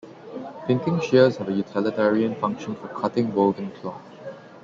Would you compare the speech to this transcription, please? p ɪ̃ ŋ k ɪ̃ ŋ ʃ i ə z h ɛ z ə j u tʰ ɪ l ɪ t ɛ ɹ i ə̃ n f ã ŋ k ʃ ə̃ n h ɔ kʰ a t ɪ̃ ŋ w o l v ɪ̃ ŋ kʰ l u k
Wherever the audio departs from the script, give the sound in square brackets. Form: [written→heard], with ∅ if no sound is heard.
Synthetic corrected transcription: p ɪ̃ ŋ k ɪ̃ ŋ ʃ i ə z h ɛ [z→v] ə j u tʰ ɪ l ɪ t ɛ ɹ i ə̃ n f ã ŋ k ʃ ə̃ n [h→f] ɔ kʰ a t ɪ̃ ŋ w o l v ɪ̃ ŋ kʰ l [u→ɔ] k